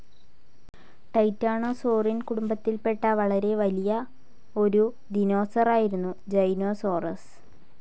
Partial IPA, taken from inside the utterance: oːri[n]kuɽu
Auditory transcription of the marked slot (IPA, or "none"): n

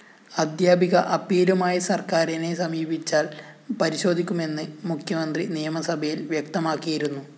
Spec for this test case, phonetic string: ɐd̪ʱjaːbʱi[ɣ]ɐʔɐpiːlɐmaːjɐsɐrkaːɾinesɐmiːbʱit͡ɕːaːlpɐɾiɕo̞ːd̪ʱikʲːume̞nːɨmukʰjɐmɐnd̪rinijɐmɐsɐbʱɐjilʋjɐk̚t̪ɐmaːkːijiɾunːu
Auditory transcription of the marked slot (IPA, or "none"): ɣ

